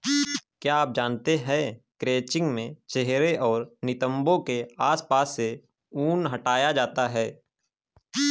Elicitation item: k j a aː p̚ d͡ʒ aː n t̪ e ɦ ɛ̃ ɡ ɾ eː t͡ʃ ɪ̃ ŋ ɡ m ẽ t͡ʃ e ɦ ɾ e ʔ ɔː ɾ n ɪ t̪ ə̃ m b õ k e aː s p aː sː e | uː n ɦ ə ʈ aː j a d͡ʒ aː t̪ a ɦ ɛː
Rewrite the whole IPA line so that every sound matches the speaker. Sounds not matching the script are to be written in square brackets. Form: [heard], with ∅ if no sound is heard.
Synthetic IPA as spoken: k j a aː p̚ d͡ʒ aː n t̪ e ɦ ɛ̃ [k] ɾ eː t͡ʃ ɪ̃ ŋ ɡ m ẽ t͡ʃ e ɦ ɾ e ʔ ɔː ɾ n ɪ t̪ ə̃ m b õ k e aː s p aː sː e | uː n ɦ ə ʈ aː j a d͡ʒ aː t̪ a ɦ ɛː